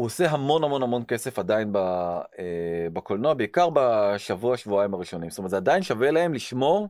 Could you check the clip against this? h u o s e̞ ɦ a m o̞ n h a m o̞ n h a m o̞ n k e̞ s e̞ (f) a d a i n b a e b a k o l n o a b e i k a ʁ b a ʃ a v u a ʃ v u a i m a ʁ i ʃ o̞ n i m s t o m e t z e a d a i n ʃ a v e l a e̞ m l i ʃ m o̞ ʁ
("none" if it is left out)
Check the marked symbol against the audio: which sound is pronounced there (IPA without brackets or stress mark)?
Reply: f